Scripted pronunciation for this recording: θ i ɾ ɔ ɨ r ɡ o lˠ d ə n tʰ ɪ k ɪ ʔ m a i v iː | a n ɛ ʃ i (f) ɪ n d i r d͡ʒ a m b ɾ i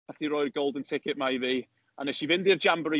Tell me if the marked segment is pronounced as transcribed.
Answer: no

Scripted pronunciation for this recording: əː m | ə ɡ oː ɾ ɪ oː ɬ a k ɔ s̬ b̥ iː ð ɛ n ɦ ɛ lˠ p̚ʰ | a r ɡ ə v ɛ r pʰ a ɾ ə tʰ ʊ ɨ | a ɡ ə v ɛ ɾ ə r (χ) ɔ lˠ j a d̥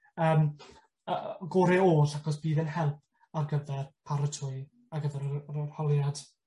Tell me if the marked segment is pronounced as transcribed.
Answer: no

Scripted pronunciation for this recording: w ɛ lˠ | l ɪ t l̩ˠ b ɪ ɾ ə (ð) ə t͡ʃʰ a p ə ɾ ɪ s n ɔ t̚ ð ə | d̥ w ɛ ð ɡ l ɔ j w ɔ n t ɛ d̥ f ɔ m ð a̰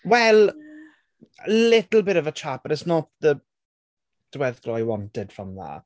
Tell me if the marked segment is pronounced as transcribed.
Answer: no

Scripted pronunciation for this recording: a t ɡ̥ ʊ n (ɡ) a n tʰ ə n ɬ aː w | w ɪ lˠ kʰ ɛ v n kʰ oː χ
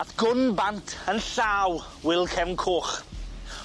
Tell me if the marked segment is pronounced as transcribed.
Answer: no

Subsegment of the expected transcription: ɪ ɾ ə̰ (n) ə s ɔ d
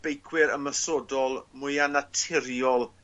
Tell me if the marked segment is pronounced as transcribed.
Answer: no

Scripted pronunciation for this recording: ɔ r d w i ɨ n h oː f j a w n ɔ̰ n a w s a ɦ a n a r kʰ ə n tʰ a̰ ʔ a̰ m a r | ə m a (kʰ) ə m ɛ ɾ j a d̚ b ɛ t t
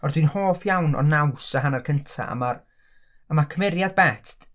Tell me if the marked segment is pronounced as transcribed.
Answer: yes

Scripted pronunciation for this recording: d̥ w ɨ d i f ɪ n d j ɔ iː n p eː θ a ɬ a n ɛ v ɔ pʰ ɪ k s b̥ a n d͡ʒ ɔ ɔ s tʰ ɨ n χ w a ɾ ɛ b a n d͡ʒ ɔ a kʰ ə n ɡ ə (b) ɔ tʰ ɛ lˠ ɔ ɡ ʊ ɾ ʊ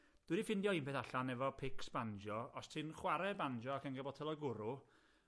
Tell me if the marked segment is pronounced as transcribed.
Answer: yes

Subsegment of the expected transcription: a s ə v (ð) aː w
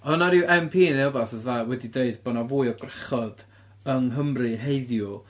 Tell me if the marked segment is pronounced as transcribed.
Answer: yes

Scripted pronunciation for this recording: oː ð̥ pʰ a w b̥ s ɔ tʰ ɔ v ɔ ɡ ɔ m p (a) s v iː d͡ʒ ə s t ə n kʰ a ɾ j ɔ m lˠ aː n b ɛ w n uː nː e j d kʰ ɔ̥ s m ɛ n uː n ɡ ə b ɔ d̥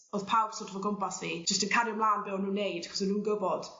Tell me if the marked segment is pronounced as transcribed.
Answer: yes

